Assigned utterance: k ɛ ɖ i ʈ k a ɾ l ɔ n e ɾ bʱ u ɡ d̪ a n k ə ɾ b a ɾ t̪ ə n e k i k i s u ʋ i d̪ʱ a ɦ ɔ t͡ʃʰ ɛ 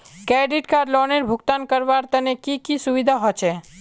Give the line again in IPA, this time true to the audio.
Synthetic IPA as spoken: k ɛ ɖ i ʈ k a ɾ l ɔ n e ɾ bʱ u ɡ t̪ a n k ə ɾ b a ɾ t̪ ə n e k i k i s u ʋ i d̪ʱ a ɦ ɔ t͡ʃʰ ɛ